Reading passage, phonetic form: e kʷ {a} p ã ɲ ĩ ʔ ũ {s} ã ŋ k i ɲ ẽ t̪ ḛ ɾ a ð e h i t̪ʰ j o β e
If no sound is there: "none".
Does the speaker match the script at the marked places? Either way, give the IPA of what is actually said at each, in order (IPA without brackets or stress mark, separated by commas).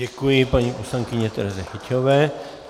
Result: i, s